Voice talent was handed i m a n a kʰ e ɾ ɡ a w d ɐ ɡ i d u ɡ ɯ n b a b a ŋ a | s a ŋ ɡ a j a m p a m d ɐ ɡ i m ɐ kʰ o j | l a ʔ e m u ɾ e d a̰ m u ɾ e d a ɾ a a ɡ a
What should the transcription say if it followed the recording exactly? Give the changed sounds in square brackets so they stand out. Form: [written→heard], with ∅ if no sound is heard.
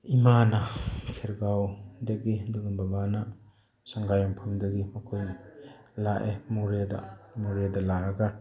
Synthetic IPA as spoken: i m a n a kʰ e ɾ ɡ a w d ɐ ɡ i d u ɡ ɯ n b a b a [ŋ→n] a | s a ŋ ɡ a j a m [p→pʰ] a m d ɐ ɡ i m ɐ kʰ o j | l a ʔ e m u ɾ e d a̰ m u ɾ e d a [ɾ→l] a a ɡ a